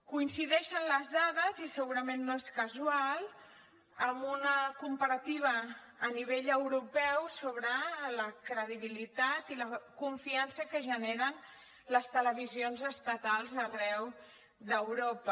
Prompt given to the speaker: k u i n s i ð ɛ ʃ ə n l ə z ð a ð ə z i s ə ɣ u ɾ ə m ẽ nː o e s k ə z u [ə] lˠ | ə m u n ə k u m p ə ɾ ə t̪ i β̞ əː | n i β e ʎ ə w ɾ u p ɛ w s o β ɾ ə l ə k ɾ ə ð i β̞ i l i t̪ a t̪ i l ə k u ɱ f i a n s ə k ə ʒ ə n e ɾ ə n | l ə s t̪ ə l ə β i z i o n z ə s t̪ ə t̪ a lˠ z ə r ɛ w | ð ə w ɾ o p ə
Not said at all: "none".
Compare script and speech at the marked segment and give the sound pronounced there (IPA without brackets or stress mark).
a